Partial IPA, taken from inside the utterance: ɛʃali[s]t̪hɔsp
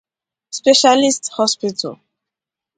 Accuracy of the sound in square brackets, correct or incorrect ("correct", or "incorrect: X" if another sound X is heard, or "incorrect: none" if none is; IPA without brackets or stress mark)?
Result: correct